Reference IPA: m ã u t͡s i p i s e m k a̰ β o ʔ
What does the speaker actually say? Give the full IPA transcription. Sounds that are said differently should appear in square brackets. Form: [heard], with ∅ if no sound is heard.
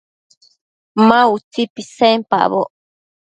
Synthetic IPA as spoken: m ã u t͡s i p i s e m [p] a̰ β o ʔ